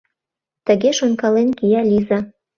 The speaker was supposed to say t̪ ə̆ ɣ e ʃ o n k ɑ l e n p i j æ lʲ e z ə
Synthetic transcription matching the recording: t̪ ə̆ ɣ e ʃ o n k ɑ l e n k i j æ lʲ i z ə